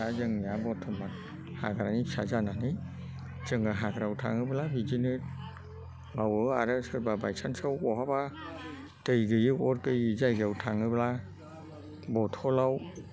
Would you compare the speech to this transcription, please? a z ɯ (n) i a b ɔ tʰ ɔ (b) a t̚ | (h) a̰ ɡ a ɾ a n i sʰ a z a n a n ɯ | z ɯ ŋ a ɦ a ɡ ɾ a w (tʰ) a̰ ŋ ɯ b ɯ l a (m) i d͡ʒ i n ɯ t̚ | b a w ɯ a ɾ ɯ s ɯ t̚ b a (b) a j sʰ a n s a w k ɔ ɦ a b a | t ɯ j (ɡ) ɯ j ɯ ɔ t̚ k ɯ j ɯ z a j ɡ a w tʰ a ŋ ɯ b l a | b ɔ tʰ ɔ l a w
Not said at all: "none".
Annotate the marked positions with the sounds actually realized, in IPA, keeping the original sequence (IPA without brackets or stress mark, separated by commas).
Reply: ŋ, m, h, tʰ, b, b, ɡ